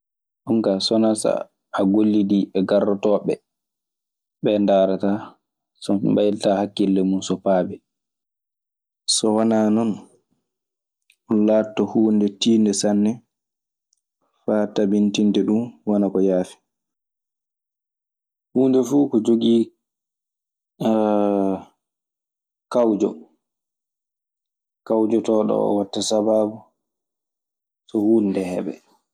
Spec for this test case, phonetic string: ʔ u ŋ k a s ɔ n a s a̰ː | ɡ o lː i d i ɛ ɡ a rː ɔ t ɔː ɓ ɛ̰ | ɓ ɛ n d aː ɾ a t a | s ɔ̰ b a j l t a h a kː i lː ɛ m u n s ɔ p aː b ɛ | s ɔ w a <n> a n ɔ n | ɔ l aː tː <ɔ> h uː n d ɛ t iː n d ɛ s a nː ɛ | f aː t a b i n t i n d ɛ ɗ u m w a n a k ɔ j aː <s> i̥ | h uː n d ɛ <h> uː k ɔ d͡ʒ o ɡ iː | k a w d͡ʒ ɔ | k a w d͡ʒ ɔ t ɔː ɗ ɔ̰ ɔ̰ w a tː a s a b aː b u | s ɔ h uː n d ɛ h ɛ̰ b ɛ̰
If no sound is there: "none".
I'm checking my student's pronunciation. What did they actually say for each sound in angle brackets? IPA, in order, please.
n, ɔ, f, f

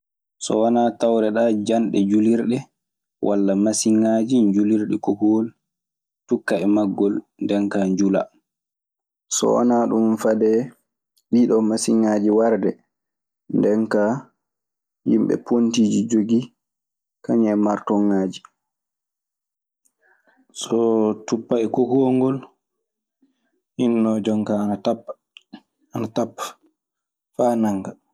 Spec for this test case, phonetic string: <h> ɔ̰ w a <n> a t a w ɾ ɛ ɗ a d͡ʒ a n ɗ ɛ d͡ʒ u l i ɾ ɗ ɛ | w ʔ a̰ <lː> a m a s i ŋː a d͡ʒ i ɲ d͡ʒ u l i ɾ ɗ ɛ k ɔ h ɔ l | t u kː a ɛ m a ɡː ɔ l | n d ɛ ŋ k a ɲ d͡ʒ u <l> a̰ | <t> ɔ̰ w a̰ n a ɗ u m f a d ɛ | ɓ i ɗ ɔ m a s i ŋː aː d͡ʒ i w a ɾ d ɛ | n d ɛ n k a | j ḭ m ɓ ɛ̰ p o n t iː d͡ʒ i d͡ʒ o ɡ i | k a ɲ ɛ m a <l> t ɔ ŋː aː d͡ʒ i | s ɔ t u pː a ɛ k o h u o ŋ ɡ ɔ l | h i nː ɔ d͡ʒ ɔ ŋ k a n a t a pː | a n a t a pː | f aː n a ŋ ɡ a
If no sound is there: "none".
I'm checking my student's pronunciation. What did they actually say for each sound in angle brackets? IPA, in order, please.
s, n, lː, l, s, ɾ

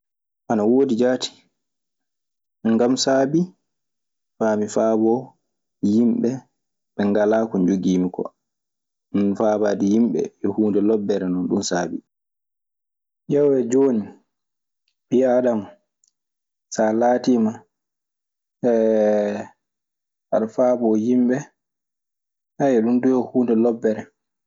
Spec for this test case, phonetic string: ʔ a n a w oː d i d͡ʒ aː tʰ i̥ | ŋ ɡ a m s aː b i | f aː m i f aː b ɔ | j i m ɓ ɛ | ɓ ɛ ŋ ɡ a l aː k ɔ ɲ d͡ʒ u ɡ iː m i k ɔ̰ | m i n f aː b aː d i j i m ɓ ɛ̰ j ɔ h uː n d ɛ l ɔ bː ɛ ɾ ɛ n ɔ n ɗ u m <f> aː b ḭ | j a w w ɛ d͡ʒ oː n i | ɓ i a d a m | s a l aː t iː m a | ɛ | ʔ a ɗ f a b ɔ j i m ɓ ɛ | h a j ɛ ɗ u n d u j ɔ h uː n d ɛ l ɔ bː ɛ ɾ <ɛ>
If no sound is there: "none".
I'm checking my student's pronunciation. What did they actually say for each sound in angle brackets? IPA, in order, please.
s, ɛ

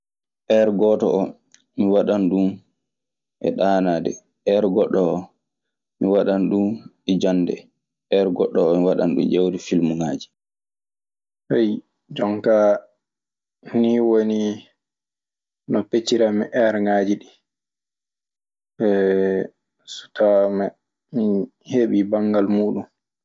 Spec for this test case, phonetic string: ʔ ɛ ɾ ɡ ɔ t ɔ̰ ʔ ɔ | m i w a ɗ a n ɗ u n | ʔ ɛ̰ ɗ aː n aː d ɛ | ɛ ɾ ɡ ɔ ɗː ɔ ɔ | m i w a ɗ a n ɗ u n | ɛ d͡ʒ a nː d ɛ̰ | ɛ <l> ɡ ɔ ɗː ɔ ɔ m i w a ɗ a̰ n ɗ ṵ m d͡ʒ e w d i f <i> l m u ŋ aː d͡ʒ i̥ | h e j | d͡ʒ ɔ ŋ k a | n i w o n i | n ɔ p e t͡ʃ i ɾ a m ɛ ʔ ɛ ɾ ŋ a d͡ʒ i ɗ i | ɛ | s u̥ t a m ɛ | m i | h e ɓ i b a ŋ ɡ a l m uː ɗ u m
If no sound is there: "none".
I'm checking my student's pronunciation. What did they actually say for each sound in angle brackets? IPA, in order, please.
ɾ, i

